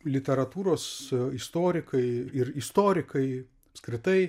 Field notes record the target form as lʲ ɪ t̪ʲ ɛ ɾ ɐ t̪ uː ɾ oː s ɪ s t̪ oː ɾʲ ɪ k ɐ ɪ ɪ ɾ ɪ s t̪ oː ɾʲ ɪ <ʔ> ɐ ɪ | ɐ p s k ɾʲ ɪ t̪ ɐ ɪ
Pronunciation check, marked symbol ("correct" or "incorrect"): incorrect